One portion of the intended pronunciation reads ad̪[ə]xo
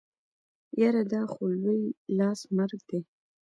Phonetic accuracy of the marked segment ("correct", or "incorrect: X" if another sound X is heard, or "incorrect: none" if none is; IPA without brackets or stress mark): incorrect: ɑ